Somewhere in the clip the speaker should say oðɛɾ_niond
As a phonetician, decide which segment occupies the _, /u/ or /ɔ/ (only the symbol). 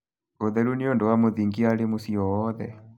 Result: u